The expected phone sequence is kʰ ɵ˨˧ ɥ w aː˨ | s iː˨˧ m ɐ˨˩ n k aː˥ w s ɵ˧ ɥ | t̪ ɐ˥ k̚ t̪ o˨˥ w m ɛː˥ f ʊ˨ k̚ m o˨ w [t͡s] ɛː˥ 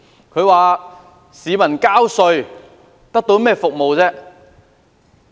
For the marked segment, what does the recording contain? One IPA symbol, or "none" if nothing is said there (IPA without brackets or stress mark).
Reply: t͡s